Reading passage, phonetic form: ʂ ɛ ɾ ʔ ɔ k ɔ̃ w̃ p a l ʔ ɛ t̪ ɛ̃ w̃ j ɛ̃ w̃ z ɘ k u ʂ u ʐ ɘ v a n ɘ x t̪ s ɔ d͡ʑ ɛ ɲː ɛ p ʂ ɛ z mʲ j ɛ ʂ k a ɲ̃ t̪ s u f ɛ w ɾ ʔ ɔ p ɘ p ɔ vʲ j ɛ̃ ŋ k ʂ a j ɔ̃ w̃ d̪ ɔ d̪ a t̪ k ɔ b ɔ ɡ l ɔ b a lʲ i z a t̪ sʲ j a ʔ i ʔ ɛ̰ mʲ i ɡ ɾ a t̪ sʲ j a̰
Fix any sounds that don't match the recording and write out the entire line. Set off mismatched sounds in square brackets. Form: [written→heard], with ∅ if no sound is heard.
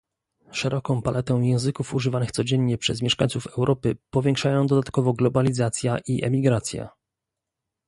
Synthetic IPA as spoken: ʂ ɛ ɾ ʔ ɔ k ɔ̃ w̃ p a l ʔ ɛ t̪ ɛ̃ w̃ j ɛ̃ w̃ z ɘ k u [ʂ→f] u ʐ ɘ v a n ɘ x t̪ s ɔ d͡ʑ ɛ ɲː ɛ p ʂ ɛ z mʲ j ɛ ʂ k a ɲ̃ t̪ s u f ɛ w ɾ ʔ ɔ p ɘ p ɔ vʲ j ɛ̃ ŋ k ʂ a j ɔ̃ w̃ d̪ ɔ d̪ a t̪ k ɔ [b→v] ɔ ɡ l ɔ b a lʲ i z a t̪ sʲ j a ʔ i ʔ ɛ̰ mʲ i ɡ ɾ a t̪ sʲ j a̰